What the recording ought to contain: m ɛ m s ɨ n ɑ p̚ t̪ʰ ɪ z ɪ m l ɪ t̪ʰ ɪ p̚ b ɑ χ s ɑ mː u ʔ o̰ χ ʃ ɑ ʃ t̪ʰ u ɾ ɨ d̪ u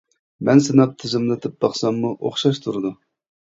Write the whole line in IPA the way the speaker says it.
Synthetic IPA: m ɛ n s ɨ n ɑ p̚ t̪ʰ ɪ z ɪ m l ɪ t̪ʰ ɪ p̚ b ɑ χ s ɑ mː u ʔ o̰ χ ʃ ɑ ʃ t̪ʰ u ɾ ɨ d̪ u